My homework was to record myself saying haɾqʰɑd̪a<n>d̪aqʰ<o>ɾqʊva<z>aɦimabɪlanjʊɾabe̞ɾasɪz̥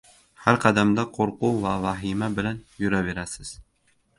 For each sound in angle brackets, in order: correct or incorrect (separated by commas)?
incorrect, correct, incorrect